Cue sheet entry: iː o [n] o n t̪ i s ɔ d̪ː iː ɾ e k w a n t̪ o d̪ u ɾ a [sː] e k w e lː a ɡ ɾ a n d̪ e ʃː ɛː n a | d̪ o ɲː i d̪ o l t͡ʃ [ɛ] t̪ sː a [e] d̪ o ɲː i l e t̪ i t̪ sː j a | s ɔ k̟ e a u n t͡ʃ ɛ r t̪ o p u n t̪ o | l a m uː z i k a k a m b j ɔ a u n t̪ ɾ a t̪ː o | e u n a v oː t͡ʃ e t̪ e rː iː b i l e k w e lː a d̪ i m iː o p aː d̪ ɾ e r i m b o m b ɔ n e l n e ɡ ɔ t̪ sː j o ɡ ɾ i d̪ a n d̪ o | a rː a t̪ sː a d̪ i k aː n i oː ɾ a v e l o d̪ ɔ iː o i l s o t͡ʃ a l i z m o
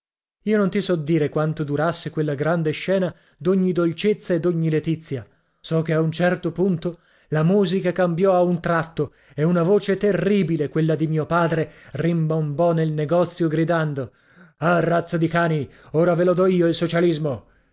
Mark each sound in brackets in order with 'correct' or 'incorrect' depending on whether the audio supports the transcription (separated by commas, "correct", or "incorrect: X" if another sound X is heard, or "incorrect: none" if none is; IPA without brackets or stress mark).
correct, correct, incorrect: e, correct